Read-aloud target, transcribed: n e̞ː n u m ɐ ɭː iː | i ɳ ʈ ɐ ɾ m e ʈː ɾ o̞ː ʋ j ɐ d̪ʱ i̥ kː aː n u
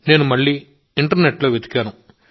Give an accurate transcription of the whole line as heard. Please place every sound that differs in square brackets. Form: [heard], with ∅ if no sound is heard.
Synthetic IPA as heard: n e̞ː n u m ɐ ɭː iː | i ɳ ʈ ɐ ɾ [n] e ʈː [l] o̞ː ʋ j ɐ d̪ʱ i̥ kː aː n u

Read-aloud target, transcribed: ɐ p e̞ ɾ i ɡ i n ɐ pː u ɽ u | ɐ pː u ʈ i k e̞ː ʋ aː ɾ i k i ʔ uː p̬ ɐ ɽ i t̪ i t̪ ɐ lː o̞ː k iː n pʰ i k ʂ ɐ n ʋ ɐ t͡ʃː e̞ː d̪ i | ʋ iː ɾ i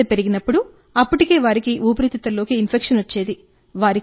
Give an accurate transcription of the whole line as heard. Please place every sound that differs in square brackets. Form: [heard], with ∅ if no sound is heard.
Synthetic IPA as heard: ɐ p e̞ ɾ i ɡ i n ɐ pː u ɽ u | ɐ pː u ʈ i k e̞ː ʋ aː ɾ i k i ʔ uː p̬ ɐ [ɾ] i t̪ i t̪ ɐ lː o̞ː k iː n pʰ [e] k ʂ ɐ n ʋ ɐ t͡ʃː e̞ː d̪ i | ʋ [aː] ɾ i

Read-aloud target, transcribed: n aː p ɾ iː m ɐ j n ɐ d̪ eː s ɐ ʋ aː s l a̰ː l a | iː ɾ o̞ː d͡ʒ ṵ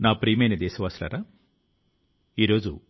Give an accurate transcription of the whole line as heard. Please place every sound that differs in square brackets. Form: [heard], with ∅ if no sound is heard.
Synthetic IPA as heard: n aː p ɾ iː m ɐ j n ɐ d̪ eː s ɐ ʋ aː s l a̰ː [ɾ] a | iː ɾ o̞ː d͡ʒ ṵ

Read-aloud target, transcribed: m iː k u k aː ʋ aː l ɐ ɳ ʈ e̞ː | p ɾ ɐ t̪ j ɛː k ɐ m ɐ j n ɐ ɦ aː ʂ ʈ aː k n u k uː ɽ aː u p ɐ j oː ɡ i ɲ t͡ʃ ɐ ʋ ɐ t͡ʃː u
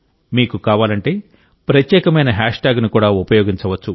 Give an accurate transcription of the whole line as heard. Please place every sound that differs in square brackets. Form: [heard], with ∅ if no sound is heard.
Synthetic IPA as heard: m iː k u k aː ʋ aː l ɐ ɳ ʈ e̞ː | p ɾ ɐ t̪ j ɛː k ɐ m ɐ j n ɐ ɦ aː ʂ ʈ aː [ɡ] n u k uː ɽ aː u p ɐ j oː ɡ i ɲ t͡ʃ ɐ ʋ ɐ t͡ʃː u

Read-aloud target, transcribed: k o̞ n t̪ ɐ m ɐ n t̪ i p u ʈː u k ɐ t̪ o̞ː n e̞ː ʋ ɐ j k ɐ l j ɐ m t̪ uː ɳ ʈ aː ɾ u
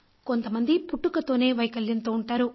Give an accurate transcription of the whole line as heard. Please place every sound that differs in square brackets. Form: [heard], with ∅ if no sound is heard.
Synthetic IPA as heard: k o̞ n t̪ ɐ m ɐ n [d̪] i p u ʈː u k ɐ t̪ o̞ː n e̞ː ʋ ɐ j k ɐ l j ɐ [n] t̪ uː ɳ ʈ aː ɾ u

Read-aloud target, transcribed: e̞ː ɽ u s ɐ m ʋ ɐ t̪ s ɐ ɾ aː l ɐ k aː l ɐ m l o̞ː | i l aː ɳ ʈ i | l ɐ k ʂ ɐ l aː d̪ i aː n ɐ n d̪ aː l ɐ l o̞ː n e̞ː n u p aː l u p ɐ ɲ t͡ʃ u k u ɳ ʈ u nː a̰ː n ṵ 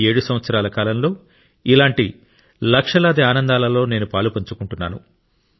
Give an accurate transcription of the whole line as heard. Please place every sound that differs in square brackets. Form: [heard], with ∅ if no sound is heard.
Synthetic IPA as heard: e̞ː ɽ u s ɐ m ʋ ɐ t̪ s ɐ ɾ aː l ɐ k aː l ɐ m l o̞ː | i l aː ɳ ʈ i | l ɐ k ʂ ɐ l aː d̪ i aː n ɐ n d̪ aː l ɐ l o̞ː n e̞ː n u p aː l u p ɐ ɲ t͡ʃ u k u ɳ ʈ u nː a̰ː n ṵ

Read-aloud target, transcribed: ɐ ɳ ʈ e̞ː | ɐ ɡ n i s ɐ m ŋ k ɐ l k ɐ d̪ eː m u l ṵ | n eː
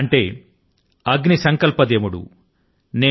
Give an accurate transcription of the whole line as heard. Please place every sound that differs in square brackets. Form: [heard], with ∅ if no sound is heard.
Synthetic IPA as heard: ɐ ɳ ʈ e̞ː | ɐ ɡ n i s ɐ [∅] ŋ k ɐ l [p] ɐ d̪ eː m u [ɽ] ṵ | n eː

